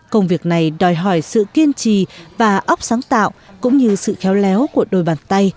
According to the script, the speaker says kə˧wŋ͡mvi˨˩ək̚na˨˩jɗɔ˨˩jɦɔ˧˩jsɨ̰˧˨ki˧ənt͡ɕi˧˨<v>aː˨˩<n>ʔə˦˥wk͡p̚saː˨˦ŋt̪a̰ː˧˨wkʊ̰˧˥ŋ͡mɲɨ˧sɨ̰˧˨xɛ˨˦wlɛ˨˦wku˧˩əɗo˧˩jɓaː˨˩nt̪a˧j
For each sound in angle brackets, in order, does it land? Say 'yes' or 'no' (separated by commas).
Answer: yes, no